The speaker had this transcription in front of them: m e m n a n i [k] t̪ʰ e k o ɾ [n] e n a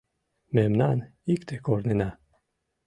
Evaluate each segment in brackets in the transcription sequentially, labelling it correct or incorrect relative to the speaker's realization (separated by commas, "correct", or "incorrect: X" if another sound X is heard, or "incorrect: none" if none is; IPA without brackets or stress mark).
correct, correct